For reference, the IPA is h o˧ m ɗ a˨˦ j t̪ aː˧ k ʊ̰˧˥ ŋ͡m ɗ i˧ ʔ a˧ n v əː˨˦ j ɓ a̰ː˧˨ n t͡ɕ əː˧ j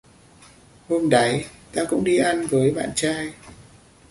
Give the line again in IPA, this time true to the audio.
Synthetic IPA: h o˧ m ɗ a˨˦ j t̪ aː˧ k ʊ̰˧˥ ŋ͡m ɗ i˧ ʔ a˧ n v əː˨˦ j ɓ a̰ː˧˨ n t͡ɕ aː˧ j